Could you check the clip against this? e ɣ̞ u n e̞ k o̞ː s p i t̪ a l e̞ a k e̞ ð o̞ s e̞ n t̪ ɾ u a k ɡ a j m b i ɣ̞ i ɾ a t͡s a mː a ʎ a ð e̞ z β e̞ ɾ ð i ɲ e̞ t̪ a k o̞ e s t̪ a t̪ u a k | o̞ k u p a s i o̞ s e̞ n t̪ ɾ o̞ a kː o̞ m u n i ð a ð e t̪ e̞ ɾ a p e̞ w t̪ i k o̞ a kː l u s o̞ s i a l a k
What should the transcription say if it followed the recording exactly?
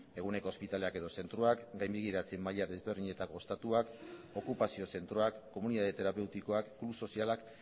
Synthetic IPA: e ɣ̞ u n e̞ k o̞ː s p i t̪ a l e̞ a k e̞ ð o̞ s e̞ n t̪ ɾ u a k ɡ a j m b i ɣ̞ i ɾ a t͡s e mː a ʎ a ð e̞ z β e̞ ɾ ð i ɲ e̞ t̪ a k o̞ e s t̪ a t̪ u a k | o̞ k u p a s i o̞ s e̞ n t̪ ɾ o̞ a kː o̞ m u n i ð a ð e t̪ e̞ ɾ a p e̞ w t̪ i k o̞ a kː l u s o̞ s i a l a k